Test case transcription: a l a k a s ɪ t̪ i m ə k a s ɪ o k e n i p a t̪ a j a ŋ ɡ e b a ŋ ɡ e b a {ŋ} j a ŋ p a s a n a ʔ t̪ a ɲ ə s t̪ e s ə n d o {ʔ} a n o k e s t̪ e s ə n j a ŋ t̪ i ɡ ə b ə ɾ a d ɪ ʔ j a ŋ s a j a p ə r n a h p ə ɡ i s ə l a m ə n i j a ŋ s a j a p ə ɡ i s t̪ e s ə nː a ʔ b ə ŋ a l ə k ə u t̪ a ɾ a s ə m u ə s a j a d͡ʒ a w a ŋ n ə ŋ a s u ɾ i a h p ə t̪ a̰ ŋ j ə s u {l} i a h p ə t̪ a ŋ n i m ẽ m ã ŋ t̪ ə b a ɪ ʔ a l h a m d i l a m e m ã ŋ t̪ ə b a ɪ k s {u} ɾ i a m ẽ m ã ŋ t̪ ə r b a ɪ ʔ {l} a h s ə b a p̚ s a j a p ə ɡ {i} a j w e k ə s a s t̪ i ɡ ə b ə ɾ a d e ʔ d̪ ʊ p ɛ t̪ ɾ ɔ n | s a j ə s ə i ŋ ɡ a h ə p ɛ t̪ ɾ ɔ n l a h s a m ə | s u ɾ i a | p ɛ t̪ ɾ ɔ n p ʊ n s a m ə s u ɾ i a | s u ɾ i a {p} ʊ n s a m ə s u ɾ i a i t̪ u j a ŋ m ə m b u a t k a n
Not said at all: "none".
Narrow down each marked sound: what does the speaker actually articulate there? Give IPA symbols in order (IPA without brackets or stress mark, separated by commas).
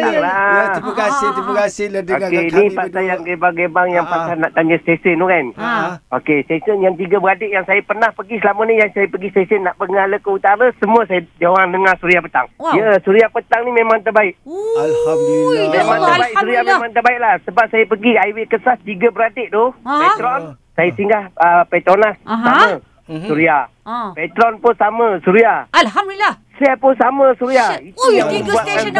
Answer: ŋ, k, ɾ, u, l, i, p